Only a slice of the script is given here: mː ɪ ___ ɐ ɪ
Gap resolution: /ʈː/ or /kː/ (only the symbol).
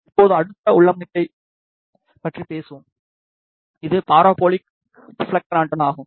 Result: ʈː